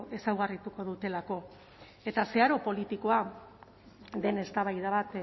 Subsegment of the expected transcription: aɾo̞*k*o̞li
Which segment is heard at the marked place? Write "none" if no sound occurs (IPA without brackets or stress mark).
p